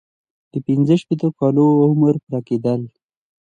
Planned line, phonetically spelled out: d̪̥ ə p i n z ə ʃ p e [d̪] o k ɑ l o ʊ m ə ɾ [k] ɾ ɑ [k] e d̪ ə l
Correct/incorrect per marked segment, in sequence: incorrect: t̪, incorrect: p, correct

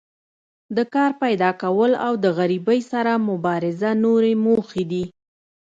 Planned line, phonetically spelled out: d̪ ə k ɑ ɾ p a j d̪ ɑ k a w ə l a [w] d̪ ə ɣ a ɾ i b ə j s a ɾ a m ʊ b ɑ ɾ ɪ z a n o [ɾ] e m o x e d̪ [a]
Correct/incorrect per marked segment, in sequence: correct, correct, incorrect: i

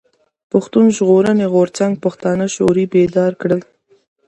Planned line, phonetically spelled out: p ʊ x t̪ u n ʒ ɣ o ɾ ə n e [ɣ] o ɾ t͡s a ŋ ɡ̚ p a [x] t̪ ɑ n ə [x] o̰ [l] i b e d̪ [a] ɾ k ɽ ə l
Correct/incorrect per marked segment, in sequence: correct, correct, incorrect: ʃ, incorrect: ɾ, incorrect: ɑ

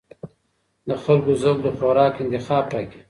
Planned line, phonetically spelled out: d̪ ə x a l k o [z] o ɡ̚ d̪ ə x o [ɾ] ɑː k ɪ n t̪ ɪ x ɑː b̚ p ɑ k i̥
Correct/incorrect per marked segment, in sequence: correct, correct

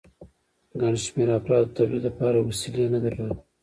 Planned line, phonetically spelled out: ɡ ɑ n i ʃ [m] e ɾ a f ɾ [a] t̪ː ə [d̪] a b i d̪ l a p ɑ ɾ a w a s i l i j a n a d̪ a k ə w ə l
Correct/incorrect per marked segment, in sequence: correct, incorrect: ɑ, incorrect: t̪

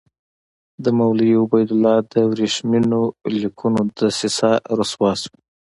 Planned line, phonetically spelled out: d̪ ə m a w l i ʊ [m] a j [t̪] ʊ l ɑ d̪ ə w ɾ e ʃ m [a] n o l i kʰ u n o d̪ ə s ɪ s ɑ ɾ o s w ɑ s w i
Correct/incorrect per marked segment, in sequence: incorrect: b, incorrect: d̪, incorrect: i

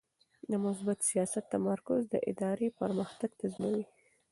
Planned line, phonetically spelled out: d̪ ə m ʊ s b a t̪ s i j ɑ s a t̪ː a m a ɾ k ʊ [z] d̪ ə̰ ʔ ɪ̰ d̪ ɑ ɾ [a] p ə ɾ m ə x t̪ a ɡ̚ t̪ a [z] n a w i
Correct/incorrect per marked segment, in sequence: correct, incorrect: e, correct

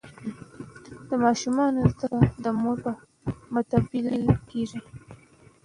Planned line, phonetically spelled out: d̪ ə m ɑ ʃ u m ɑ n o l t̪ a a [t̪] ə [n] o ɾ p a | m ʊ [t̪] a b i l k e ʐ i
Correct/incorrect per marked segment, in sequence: incorrect: d̪, incorrect: m, correct

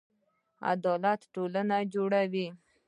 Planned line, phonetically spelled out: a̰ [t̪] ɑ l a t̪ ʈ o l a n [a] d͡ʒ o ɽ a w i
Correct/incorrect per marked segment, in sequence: incorrect: d̪, correct

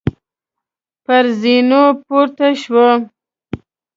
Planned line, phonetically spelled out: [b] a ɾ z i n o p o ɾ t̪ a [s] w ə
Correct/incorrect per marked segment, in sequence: incorrect: p, incorrect: ʃ

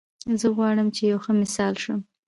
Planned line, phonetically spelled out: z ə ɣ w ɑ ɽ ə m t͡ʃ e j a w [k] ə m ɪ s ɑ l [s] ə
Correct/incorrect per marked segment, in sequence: incorrect: x, incorrect: ʃ

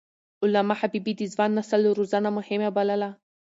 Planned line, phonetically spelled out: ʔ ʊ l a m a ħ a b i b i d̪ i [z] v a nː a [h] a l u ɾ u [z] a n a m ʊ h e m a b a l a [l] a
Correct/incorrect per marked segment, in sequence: correct, incorrect: s, correct, correct

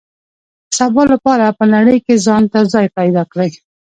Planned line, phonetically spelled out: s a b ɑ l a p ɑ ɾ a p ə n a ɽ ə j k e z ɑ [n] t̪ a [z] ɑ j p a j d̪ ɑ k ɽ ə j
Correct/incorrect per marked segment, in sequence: correct, correct

